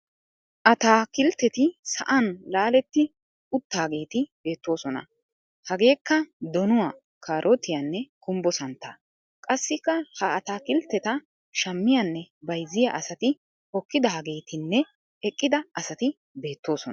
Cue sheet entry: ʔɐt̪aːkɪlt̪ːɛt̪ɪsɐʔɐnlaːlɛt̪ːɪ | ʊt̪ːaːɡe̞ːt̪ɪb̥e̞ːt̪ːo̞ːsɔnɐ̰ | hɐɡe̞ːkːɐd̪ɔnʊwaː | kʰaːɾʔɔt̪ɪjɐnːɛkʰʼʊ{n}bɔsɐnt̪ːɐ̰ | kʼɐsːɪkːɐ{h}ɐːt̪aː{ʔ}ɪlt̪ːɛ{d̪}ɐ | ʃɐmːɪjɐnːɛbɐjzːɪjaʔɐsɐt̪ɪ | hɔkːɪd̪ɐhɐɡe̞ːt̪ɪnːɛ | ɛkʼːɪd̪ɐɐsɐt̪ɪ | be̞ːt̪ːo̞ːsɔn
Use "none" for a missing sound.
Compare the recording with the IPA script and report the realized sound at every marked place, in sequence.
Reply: m, h, k, t̪

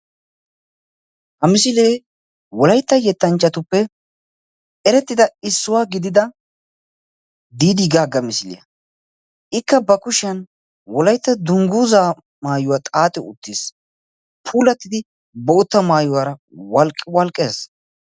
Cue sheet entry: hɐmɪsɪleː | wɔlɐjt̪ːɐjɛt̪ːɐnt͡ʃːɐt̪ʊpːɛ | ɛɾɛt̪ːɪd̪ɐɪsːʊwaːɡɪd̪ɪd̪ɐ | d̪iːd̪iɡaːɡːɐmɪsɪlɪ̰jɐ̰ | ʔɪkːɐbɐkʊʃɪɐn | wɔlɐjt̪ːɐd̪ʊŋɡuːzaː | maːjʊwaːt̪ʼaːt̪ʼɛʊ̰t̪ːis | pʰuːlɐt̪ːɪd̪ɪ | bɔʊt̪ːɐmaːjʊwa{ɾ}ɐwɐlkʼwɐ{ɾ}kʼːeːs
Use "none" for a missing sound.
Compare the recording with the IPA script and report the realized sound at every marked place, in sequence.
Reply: ɾ, l

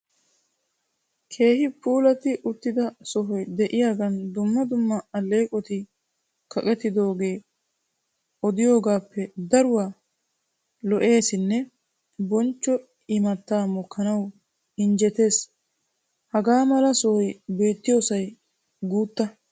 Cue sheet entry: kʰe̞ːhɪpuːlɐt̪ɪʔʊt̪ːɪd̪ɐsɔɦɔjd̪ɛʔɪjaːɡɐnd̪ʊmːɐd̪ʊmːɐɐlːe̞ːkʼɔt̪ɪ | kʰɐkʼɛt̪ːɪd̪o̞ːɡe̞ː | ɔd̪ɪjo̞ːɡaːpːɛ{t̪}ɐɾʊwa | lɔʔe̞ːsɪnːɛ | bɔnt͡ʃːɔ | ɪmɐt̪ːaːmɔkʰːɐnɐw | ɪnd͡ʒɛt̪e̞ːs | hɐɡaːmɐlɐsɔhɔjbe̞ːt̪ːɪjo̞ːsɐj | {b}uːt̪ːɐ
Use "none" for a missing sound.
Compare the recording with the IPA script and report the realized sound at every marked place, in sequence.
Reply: d̪, ɡ

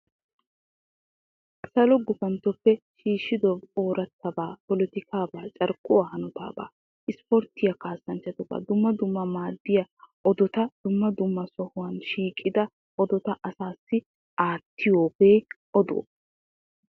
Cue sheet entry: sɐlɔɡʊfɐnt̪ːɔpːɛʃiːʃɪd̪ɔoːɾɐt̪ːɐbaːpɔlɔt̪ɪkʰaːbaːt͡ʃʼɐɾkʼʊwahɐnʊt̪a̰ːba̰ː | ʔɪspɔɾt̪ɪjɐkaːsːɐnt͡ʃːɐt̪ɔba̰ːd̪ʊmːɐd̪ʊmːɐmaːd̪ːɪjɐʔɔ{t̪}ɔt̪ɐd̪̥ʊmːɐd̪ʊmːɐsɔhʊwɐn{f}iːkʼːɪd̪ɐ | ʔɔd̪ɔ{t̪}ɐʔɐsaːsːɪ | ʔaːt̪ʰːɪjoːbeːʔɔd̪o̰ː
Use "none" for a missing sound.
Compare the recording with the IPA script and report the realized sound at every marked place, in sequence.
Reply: d̪, ʃ, t̪

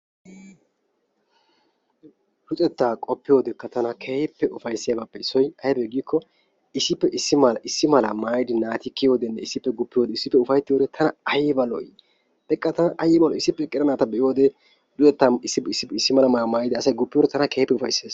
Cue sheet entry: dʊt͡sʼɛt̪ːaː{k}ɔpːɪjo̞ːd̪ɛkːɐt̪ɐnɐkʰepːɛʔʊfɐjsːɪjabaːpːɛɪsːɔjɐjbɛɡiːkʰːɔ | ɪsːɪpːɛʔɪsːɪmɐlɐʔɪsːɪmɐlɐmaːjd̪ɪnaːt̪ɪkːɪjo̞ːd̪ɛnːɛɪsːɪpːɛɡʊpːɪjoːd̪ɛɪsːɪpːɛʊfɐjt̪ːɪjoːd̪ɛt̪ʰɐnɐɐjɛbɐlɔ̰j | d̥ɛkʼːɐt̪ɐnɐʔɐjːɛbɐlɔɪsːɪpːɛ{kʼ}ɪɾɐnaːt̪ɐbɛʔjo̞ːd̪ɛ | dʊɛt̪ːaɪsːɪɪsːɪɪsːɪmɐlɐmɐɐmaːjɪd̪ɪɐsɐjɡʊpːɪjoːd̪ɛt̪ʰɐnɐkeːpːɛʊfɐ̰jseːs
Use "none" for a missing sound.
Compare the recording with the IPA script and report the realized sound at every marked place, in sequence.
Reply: kʼ, kʼ

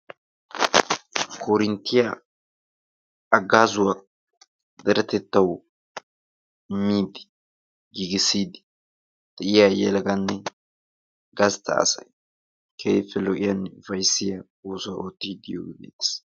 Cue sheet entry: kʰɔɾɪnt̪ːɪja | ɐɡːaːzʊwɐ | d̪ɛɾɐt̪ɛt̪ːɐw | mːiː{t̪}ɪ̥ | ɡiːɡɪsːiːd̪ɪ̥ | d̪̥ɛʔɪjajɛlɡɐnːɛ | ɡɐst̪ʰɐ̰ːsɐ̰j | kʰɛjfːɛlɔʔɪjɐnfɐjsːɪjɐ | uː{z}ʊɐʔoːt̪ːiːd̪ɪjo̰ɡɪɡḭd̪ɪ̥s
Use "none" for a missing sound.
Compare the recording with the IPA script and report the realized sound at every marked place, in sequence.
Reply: d̪, s

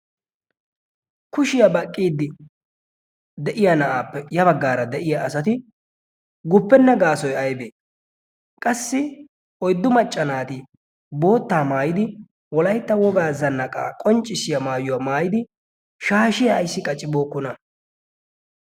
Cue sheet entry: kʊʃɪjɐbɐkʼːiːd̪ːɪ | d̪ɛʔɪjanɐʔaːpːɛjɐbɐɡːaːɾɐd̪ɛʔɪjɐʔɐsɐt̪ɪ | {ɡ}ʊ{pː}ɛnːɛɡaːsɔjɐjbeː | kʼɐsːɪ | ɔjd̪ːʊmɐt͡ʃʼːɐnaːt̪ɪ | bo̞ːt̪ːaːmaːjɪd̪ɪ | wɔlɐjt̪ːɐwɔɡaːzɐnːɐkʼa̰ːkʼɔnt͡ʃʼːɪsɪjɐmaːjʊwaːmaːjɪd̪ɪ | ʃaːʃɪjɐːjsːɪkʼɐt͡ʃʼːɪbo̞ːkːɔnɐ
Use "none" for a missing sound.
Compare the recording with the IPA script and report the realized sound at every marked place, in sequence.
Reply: ɡ, pː

